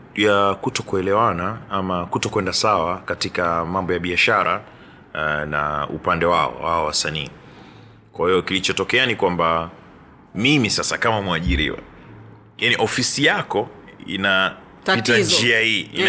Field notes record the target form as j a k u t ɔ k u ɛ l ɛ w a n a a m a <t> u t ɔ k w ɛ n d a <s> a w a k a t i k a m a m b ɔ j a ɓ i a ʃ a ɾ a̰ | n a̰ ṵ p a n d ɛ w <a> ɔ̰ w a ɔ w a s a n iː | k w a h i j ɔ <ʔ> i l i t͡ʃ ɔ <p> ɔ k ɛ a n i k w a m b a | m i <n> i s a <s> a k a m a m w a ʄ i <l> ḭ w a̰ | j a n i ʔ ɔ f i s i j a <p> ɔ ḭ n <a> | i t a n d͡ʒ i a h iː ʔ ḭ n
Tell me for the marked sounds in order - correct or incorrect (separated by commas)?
incorrect, correct, correct, incorrect, incorrect, incorrect, correct, incorrect, incorrect, correct